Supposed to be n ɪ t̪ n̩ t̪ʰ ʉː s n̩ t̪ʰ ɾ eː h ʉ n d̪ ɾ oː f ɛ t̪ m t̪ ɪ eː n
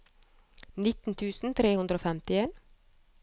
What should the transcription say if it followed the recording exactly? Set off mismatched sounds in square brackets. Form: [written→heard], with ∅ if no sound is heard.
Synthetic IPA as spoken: n ɪ t̪ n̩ t̪ʰ ʉː s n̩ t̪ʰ ɾ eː h ʉ n d̪ ɾ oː f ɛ [t̪→∅] m t̪ ɪ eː n